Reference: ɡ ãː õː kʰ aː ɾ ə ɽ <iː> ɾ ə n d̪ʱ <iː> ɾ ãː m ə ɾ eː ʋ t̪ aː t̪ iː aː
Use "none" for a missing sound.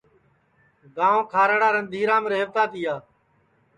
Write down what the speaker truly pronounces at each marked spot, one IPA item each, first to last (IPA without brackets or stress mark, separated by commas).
aː, iː